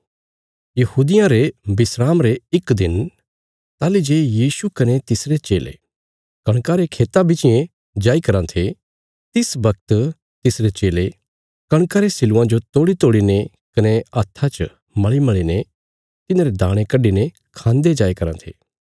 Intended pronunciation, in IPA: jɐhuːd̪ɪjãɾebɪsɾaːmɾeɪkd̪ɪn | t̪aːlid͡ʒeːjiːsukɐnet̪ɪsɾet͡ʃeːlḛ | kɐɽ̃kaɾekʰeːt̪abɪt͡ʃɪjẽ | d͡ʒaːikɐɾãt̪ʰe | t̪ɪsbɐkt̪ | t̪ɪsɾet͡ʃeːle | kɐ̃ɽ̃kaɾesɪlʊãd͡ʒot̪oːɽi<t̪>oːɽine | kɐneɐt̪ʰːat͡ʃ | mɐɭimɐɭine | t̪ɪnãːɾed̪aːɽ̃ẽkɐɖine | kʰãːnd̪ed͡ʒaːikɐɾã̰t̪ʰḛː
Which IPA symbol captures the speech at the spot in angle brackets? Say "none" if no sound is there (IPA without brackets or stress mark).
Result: t̪